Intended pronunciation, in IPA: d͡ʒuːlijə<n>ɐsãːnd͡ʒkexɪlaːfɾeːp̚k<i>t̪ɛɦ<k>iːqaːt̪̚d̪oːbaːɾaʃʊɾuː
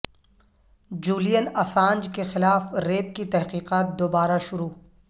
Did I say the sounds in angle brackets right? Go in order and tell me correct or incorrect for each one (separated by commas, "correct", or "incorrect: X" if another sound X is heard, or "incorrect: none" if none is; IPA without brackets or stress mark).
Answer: correct, correct, incorrect: q